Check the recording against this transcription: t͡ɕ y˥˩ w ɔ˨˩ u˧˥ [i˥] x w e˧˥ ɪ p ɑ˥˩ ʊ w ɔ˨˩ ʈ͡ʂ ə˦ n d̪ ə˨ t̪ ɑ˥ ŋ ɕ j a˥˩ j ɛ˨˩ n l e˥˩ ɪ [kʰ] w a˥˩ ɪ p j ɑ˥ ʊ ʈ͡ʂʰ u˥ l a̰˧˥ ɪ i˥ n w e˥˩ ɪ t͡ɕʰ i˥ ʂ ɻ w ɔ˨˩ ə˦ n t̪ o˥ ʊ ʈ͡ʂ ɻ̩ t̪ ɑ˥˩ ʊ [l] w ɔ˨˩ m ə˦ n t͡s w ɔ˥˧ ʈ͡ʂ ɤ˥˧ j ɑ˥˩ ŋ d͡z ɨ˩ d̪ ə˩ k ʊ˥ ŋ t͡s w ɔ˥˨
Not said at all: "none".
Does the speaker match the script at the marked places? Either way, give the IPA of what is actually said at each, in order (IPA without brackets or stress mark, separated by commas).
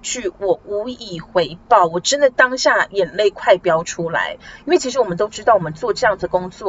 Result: i˨˩, kʰ, none